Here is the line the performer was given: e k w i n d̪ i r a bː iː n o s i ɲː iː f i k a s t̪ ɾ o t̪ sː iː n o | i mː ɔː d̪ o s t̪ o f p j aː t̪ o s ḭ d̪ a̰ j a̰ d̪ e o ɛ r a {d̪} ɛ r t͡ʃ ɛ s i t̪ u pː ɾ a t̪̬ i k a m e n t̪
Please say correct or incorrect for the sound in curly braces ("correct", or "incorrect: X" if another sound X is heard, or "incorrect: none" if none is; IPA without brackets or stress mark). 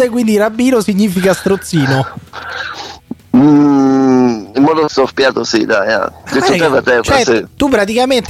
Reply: incorrect: t̪